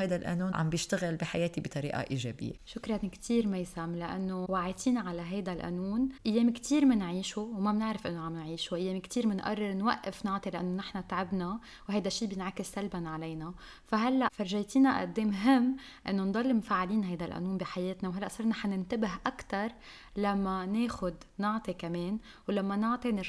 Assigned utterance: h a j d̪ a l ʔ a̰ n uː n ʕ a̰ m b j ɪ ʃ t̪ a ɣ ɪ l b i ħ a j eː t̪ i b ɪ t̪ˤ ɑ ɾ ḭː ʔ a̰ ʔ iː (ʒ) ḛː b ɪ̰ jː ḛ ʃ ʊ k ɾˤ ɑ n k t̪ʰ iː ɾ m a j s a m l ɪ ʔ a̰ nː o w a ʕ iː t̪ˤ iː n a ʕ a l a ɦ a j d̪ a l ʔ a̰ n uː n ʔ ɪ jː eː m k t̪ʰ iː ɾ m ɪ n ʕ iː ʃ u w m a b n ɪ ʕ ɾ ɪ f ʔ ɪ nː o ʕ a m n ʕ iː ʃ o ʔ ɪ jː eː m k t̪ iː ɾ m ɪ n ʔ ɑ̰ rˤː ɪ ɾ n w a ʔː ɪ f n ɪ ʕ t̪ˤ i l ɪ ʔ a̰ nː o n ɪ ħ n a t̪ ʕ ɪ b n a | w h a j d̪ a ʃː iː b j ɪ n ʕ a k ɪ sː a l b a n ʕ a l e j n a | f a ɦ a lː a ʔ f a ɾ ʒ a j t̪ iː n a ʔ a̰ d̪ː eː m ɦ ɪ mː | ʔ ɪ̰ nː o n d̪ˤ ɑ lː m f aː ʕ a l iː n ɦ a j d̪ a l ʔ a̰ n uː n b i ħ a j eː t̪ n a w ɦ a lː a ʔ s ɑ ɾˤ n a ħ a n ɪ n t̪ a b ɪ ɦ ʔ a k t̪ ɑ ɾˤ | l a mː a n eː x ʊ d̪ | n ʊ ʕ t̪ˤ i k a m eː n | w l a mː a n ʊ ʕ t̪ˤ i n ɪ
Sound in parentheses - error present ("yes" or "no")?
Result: no